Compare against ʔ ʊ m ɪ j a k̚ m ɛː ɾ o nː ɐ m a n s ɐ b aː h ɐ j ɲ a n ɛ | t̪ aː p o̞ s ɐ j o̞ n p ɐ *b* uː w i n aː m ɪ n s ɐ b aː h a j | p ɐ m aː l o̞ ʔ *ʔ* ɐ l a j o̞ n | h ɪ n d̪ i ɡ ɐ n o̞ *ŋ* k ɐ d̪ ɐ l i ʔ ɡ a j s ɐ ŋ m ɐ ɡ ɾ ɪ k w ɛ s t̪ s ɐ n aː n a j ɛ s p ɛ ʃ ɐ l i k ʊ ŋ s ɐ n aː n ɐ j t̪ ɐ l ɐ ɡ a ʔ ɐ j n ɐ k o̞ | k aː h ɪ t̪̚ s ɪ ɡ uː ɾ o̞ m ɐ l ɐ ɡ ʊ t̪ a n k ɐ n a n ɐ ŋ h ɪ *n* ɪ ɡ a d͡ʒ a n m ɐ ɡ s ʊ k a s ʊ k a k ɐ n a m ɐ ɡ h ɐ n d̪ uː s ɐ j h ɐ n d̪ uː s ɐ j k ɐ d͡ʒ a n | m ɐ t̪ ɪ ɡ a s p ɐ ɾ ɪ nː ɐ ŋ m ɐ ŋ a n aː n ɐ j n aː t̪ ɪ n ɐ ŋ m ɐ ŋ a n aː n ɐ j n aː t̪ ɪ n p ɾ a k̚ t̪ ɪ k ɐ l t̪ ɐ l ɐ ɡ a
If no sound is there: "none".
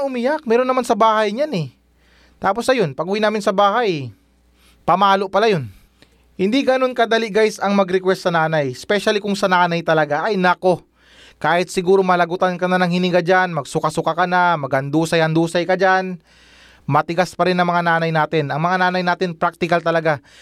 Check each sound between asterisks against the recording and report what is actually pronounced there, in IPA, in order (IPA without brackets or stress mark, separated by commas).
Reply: ɡ, p, n, n